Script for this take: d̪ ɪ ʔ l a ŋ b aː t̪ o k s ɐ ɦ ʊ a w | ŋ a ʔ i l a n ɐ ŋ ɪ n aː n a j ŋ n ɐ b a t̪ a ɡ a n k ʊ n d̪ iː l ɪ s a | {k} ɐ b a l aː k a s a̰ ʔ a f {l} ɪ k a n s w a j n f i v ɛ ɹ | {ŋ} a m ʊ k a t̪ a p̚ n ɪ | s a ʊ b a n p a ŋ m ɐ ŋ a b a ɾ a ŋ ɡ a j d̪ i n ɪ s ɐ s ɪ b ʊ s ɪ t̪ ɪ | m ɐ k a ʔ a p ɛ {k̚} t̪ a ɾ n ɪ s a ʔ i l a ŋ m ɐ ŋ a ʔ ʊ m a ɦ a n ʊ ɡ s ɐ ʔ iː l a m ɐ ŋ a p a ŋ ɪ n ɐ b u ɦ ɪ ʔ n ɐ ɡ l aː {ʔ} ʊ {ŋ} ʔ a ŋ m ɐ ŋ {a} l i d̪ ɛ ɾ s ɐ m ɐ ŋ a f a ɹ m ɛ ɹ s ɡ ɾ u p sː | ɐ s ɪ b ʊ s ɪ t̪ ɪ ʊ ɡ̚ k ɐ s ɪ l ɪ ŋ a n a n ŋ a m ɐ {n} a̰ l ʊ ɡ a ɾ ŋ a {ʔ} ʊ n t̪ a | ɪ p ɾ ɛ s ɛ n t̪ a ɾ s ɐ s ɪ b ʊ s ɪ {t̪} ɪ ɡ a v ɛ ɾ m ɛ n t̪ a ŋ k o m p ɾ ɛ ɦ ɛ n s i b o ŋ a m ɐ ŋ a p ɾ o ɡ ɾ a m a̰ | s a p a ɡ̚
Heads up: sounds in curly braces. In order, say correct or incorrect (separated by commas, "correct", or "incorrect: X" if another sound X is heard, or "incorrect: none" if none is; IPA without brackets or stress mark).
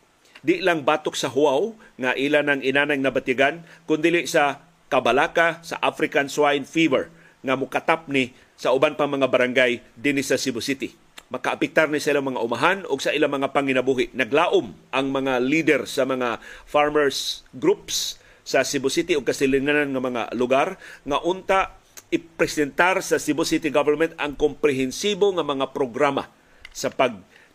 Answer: correct, incorrect: ɾ, correct, correct, correct, incorrect: m, correct, incorrect: ŋ, correct, correct